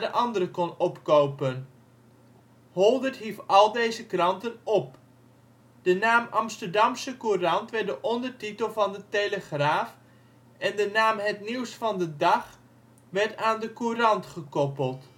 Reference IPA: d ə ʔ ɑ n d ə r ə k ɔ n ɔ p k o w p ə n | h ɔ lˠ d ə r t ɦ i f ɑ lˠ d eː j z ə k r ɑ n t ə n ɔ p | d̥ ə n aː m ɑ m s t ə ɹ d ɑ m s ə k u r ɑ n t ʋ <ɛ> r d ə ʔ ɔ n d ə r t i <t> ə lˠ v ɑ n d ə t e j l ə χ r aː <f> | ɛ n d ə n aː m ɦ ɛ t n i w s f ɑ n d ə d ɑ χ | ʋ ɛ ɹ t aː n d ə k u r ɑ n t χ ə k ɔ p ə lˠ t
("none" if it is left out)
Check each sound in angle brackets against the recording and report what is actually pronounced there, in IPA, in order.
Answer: ɛ, t, f

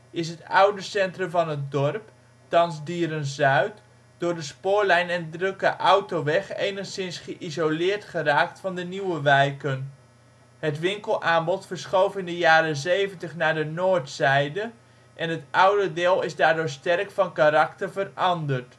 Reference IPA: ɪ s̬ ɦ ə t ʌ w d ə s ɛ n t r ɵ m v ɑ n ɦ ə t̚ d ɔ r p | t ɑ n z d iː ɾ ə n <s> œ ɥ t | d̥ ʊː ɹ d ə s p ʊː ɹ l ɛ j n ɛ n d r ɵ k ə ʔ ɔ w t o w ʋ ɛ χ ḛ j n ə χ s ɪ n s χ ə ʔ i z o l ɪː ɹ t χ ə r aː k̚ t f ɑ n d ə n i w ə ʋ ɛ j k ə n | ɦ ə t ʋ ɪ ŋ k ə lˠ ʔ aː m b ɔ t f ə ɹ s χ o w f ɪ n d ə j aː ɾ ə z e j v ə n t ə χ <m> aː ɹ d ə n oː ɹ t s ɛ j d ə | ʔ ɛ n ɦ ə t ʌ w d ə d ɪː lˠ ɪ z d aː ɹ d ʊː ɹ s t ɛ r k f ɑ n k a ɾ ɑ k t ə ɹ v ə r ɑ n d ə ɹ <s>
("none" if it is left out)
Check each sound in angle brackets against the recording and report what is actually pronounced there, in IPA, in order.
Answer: z, n, t

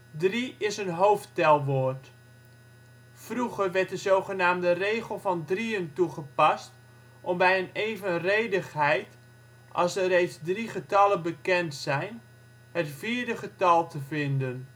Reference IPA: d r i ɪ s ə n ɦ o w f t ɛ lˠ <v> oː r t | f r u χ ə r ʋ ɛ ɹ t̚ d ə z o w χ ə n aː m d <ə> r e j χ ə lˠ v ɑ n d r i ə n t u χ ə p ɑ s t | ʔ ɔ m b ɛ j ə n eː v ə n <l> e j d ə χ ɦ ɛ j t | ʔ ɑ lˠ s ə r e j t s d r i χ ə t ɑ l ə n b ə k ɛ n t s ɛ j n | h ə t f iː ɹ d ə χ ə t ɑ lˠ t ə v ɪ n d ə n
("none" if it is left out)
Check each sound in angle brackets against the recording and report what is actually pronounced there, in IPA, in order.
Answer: ʋ, ə, r

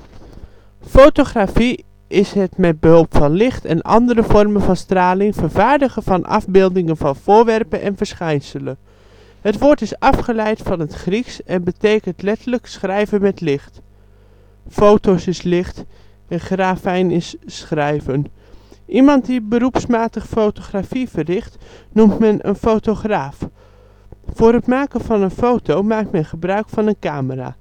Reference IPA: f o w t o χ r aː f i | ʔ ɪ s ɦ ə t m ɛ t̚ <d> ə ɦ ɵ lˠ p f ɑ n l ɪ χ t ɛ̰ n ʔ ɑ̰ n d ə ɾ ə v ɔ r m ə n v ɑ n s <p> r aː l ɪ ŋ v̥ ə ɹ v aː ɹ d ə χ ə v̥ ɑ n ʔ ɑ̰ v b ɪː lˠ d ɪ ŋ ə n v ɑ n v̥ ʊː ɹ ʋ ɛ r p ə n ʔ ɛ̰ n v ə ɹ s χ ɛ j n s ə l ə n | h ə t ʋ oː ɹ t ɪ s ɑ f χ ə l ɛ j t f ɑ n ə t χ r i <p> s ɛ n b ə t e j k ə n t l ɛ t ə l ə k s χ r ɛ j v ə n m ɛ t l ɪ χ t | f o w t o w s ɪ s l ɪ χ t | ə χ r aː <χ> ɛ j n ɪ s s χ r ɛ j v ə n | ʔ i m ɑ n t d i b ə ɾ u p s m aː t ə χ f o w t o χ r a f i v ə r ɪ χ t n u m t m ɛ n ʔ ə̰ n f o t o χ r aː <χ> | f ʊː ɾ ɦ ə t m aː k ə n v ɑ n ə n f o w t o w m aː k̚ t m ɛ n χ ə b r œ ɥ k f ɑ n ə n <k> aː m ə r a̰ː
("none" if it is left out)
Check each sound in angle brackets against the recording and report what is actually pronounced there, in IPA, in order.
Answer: b, t, k, f, f, k

